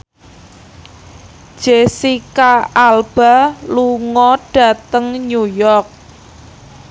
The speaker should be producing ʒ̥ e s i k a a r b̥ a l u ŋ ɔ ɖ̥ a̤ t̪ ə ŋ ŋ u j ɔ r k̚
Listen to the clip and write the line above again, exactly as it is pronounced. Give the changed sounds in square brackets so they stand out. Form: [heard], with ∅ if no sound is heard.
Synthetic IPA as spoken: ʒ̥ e s i k a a [l] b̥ a l u ŋ ɔ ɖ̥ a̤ t̪ ə ŋ [ɲ] u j ɔ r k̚